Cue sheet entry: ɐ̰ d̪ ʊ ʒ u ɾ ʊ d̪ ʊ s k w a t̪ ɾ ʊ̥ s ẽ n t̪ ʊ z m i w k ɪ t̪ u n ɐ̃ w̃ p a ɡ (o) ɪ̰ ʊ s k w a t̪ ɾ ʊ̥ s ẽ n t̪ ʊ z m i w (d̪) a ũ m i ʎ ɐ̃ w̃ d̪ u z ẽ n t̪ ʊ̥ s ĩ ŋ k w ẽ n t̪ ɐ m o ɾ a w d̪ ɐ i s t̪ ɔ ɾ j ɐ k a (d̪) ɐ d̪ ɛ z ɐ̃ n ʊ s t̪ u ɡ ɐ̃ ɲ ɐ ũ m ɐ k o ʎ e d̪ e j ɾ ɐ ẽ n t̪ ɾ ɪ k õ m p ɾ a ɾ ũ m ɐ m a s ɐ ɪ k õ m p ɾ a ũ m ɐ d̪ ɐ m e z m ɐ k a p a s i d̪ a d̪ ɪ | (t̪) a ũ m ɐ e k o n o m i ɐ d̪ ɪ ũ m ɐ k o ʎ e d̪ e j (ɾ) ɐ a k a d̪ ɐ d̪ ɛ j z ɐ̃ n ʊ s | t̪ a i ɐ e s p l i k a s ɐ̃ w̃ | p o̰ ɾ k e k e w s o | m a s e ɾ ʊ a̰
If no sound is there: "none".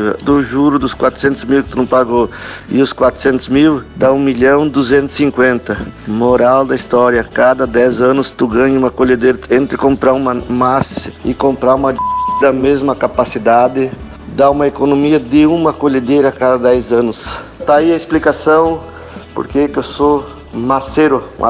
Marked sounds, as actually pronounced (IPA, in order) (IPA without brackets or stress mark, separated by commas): o, d̪, d̪, d̪, ɾ